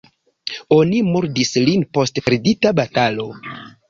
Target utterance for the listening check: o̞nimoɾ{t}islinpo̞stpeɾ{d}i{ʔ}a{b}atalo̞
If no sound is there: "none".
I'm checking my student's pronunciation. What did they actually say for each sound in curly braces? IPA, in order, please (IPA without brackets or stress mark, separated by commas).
d, d, t, b